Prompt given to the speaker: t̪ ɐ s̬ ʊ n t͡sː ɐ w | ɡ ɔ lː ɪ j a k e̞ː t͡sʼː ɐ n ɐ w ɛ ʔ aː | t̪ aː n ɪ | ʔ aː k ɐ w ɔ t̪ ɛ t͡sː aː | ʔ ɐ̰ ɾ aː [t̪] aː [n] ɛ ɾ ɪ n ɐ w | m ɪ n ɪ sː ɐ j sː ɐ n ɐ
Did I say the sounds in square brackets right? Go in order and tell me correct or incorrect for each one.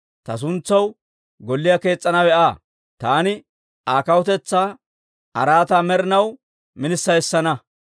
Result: correct, incorrect: m

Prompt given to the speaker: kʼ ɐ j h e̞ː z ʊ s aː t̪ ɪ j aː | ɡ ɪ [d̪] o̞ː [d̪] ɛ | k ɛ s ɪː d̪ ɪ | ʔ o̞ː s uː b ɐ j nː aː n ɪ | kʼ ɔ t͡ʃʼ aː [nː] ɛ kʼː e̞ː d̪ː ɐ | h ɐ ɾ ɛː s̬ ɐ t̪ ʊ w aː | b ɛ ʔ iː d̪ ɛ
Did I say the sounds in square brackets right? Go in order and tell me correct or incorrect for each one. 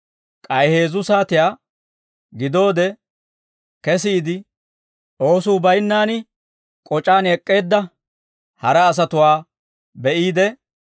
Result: correct, correct, incorrect: n

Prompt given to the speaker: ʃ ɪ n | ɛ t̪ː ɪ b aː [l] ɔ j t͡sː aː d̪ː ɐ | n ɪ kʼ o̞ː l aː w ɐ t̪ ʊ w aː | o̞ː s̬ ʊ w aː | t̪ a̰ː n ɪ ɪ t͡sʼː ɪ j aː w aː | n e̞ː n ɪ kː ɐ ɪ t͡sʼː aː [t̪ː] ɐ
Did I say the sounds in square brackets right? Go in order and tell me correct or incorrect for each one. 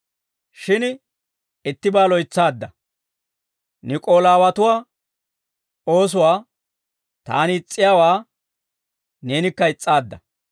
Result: correct, incorrect: d̪ː

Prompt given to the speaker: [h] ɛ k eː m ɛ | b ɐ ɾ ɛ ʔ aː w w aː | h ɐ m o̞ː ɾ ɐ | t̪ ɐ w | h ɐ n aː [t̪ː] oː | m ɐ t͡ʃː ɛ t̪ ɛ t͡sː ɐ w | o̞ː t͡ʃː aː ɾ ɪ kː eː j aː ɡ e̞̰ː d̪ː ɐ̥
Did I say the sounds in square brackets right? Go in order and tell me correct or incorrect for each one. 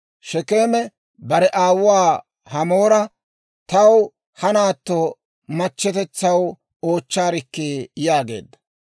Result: incorrect: ʃ, correct

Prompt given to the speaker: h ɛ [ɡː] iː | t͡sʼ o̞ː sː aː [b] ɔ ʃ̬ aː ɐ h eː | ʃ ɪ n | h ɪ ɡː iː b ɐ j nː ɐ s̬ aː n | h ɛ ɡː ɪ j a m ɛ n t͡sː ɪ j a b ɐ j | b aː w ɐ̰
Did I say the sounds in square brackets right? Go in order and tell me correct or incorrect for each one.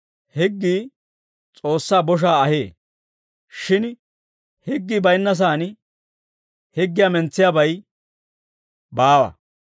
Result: correct, correct

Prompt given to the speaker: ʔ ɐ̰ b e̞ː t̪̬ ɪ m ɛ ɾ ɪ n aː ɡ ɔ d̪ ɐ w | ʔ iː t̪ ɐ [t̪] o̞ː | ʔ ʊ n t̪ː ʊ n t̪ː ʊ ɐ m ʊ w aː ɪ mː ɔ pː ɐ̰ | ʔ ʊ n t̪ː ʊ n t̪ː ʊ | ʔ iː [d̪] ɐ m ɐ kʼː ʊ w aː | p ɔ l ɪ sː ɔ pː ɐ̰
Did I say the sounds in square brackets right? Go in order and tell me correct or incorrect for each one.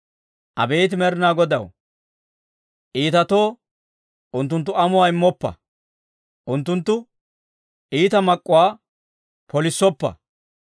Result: correct, incorrect: t̪

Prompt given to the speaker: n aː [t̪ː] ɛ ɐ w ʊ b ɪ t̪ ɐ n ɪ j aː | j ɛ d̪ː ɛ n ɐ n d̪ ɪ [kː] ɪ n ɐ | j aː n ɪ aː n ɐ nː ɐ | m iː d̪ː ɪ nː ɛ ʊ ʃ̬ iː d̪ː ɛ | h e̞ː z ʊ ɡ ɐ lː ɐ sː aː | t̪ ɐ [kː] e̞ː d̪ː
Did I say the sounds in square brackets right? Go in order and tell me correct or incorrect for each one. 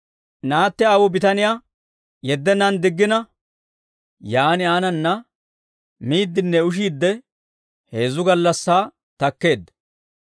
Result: correct, incorrect: ɡː, correct

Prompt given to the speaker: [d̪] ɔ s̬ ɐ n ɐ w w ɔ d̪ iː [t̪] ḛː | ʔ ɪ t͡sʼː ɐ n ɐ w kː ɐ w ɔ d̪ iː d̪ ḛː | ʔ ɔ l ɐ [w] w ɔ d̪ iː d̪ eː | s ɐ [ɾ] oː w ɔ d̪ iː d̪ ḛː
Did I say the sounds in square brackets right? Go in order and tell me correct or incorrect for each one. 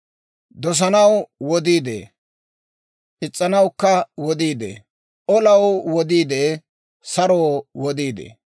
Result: correct, incorrect: d̪, correct, correct

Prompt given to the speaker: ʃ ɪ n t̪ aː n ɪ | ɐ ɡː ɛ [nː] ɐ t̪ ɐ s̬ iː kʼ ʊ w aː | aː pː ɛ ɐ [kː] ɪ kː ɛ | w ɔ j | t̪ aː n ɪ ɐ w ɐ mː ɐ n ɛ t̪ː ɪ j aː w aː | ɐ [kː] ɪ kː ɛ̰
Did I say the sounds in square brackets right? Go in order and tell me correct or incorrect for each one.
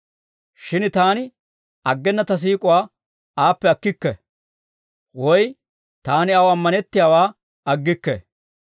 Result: correct, correct, incorrect: ɡː

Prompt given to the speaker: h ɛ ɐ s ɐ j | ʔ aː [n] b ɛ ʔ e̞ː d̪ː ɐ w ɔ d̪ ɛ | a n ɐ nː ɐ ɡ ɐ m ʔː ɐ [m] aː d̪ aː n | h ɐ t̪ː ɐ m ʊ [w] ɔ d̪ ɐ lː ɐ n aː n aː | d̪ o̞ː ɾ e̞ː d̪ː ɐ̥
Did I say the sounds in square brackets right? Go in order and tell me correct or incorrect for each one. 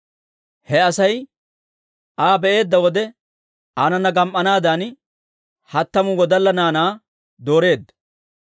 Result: incorrect: none, incorrect: n, correct

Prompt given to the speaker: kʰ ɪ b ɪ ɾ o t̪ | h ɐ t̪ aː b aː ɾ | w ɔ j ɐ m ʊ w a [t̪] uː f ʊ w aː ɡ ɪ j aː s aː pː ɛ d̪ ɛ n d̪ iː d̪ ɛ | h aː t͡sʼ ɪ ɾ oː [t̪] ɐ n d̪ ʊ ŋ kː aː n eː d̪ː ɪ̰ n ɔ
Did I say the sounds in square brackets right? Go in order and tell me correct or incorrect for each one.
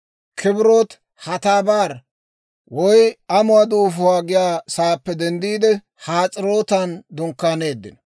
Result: incorrect: d̪, correct

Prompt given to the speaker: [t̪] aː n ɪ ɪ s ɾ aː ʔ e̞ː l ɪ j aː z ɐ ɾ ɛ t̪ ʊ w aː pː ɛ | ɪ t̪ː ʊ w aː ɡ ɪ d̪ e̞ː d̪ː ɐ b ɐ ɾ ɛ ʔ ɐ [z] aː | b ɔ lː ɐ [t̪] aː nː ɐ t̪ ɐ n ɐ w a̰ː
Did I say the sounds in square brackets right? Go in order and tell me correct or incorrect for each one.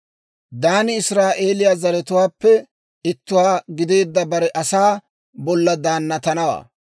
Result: incorrect: d̪, incorrect: s, incorrect: d̪

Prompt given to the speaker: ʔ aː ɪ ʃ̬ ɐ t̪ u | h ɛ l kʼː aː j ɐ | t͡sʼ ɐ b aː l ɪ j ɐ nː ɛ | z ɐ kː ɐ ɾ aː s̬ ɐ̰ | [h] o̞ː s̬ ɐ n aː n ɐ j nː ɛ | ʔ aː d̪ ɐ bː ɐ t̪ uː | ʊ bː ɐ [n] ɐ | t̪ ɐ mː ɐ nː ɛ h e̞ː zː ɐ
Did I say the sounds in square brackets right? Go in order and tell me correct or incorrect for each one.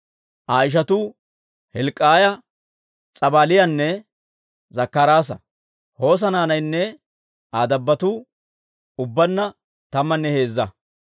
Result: correct, incorrect: nː

